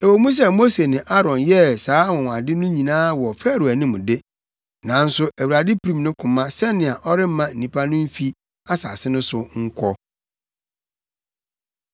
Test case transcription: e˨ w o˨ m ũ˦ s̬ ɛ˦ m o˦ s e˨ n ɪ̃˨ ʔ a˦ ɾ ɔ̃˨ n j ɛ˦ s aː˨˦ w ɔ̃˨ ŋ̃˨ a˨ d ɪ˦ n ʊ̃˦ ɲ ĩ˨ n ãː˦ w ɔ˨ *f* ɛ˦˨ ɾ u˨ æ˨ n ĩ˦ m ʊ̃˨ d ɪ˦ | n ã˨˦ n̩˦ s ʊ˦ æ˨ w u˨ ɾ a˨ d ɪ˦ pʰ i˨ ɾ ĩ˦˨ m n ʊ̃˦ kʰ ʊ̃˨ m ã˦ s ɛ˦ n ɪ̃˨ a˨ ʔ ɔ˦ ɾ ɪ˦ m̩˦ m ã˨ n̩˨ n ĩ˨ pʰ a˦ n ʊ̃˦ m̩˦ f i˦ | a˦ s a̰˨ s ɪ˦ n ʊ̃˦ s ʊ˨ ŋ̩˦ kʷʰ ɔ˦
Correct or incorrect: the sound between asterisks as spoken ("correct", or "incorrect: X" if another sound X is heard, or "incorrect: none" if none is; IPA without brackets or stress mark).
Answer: correct